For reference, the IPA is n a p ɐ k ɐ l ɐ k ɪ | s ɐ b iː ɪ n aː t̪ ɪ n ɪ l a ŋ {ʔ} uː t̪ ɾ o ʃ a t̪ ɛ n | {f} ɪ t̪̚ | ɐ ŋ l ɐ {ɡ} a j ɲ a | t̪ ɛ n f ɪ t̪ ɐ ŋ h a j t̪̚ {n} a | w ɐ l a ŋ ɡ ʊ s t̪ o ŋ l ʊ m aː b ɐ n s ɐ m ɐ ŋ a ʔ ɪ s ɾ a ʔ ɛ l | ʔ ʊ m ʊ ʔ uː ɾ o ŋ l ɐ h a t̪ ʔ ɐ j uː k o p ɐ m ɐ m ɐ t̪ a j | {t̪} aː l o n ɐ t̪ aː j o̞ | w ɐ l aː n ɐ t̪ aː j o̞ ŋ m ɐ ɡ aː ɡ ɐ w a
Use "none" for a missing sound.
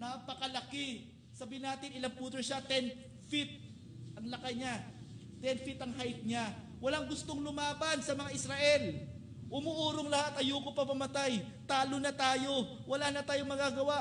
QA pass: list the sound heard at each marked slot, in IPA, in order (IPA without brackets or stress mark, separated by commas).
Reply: p, f, k, ɲ, t̪